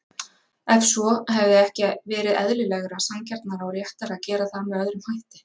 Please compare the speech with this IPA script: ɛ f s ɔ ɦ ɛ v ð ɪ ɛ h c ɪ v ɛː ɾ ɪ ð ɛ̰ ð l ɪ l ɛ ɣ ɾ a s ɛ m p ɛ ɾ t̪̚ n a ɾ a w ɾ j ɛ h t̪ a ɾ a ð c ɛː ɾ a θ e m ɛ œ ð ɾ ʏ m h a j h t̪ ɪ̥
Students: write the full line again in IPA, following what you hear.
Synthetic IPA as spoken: ɛ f s ɔ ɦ ɛ v ð ɪ ɛ h c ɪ v ɛː ɾ ɪ ð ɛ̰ ð l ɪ l ɛ ɣ ɾ a s a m c ɛ ɾ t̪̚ n a ɾ a w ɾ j ɛ h t̪ a ɾ a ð c ɛː ɾ a θ a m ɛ œ ð ɾ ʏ m h a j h t̪ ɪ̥